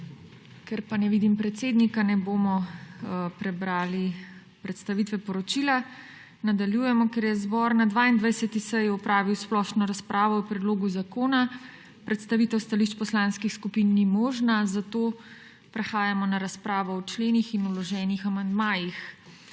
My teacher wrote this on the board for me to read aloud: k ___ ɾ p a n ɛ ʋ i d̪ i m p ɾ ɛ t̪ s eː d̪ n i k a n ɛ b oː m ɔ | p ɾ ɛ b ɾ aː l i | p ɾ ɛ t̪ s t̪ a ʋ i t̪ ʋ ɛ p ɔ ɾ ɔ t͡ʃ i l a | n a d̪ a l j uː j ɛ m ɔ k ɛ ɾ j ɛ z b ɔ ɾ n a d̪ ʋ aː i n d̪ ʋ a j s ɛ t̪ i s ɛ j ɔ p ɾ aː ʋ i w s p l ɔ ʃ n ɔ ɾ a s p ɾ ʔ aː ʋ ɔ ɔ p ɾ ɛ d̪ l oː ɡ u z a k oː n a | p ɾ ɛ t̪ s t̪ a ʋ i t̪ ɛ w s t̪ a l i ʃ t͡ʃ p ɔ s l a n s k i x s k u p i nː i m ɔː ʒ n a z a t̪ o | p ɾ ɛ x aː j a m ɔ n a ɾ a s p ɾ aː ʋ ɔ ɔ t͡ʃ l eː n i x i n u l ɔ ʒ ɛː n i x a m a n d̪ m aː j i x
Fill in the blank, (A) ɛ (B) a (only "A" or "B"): A